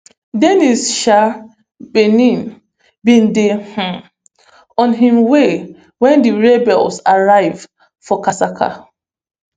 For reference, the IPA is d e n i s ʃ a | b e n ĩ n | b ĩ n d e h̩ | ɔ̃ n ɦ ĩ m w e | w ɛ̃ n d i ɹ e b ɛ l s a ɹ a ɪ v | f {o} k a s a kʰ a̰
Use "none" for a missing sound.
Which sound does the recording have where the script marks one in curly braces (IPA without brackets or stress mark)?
ɔ